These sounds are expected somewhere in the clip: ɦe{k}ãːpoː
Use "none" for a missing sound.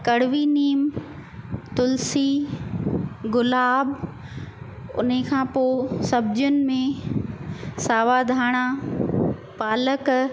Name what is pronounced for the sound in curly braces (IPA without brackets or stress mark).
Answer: kʰ